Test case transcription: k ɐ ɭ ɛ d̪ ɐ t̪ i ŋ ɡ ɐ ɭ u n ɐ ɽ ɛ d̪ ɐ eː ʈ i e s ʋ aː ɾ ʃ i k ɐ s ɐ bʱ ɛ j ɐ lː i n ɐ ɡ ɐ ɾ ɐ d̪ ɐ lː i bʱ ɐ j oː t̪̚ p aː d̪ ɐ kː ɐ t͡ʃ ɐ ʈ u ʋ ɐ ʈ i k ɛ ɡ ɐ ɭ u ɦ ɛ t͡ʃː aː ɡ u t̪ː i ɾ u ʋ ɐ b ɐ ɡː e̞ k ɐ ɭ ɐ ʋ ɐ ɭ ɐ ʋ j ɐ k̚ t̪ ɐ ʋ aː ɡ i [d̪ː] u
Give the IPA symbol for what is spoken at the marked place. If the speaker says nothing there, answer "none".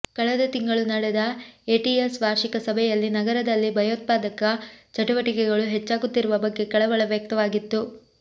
t̪ː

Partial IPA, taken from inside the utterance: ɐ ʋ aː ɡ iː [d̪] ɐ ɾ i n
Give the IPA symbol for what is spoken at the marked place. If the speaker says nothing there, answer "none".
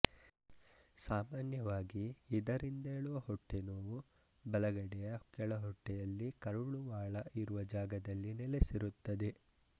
d̪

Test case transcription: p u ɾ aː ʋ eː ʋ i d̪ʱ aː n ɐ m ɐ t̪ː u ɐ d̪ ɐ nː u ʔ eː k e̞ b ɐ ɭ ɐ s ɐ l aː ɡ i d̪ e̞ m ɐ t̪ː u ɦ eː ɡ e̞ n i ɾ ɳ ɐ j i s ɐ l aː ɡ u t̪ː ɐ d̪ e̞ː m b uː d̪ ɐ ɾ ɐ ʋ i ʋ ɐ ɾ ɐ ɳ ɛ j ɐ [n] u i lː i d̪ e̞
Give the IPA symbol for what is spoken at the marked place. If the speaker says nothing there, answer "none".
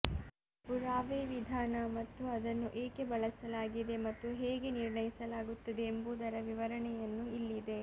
nː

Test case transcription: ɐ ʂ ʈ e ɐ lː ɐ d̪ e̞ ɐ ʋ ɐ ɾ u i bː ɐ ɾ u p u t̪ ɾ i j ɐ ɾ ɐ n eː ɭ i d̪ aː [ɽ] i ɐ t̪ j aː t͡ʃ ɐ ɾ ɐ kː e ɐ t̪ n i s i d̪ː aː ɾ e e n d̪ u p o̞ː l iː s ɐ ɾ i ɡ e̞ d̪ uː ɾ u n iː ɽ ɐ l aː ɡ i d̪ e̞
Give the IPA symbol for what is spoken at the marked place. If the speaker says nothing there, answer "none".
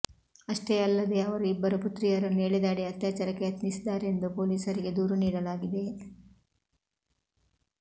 ɽ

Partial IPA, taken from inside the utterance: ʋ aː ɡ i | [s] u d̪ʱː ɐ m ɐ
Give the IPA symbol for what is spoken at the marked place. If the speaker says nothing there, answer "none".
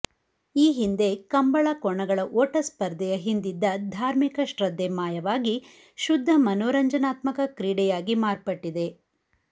ʃ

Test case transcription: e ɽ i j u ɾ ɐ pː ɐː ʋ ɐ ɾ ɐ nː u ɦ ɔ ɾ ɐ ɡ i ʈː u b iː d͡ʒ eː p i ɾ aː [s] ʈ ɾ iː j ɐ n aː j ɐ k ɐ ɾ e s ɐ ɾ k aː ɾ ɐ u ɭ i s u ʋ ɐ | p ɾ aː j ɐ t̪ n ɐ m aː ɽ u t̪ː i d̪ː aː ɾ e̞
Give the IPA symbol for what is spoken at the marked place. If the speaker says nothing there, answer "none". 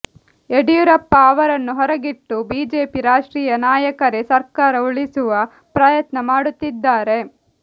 ʂ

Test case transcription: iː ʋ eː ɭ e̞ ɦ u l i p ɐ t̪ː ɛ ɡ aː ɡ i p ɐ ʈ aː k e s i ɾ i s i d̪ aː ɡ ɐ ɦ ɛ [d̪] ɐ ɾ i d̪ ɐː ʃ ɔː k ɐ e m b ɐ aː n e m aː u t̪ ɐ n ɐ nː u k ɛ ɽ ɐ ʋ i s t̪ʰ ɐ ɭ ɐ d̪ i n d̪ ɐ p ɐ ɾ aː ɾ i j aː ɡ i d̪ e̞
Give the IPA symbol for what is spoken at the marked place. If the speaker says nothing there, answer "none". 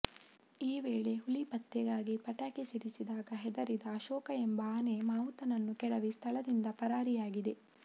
d̪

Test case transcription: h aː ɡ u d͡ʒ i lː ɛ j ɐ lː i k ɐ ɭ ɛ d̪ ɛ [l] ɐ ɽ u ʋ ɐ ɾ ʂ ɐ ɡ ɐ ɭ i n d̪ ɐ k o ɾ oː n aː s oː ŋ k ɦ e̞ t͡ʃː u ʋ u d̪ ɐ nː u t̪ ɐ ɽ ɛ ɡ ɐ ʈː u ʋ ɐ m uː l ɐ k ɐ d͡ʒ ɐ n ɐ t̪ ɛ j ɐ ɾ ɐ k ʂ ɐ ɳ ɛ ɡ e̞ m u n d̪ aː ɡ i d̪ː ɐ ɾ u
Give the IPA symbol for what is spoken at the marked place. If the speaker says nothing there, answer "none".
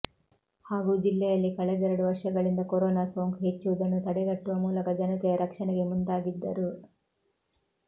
ɾ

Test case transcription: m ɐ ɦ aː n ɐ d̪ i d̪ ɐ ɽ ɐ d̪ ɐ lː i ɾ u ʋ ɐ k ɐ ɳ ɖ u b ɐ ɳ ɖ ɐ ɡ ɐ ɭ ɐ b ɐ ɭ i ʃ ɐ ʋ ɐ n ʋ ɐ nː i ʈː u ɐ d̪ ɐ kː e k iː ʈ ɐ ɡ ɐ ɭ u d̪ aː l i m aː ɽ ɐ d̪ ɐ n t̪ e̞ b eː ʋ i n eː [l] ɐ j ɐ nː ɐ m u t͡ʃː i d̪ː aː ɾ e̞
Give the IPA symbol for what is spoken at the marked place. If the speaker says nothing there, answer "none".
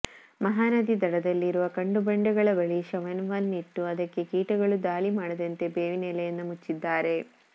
l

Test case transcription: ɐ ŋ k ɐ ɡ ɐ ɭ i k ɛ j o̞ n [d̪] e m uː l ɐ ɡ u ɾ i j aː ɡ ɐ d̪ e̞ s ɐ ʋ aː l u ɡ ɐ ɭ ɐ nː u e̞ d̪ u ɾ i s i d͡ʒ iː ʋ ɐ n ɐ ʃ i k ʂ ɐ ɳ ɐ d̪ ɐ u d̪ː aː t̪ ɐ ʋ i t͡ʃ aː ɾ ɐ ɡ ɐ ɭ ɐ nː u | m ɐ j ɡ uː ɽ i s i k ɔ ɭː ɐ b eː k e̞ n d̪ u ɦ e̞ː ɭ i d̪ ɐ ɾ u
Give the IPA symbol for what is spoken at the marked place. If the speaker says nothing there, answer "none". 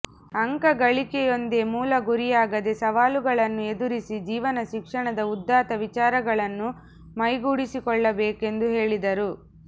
d̪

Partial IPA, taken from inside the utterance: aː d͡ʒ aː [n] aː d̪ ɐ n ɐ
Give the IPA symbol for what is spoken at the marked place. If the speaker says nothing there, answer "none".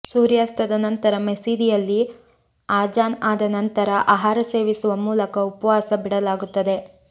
n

